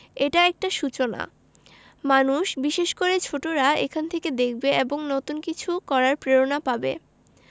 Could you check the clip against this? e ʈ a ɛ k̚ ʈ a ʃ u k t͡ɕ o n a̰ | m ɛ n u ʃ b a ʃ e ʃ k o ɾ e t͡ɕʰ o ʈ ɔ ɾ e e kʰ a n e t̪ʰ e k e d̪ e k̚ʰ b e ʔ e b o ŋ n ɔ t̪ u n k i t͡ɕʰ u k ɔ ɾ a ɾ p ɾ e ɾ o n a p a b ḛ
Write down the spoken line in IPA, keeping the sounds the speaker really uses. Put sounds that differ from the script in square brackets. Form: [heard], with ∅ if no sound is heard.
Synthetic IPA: e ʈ a ɛ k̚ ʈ a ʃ u [∅] t͡ɕ o n a̰ | m [a] n u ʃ b [i] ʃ e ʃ k o ɾ e t͡ɕʰ o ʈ [o] ɾ [a] e kʰ a n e t̪ʰ e k e d̪ e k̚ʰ b e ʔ e b o ŋ n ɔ t̪ u n k i t͡ɕʰ u k ɔ ɾ a ɾ p ɾ e ɾ o n a p a b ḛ